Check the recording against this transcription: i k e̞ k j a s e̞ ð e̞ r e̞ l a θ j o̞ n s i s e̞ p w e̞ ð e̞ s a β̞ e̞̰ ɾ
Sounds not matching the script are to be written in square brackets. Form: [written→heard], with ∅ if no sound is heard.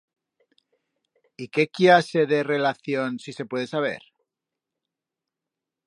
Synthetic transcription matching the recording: i k e̞ k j a s e̞ ð e̞ r e̞ l a θ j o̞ n s i s e̞ p w e̞ ð e̞ s a β̞ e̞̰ ɾ